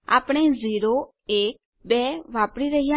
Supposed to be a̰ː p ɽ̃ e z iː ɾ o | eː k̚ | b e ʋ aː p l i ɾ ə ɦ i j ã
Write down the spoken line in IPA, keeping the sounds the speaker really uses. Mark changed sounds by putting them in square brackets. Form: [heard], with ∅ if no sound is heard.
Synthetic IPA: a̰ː p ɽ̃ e z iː ɾ o | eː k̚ | b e ʋ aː p [ɽ] i ɾ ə ɦ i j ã